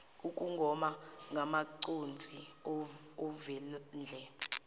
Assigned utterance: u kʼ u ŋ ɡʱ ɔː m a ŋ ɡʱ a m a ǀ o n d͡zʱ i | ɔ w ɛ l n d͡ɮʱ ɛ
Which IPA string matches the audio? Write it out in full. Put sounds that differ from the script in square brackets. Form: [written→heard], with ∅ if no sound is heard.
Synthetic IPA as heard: u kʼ u ŋ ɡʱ [ɔː→ɔ] m a ŋ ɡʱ a m a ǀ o n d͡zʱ i | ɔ [w→v] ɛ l n d͡ɮʱ ɛ